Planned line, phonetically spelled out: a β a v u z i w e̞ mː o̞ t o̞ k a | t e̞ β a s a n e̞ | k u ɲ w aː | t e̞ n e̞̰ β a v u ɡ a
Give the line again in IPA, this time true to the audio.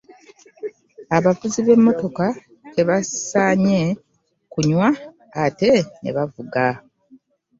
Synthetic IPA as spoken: a β a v u z i β e̞ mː o̞ t o̞ k a | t e̞ β a s a ɲ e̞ | k u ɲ w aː | t e̞ n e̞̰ β a v u ɡ a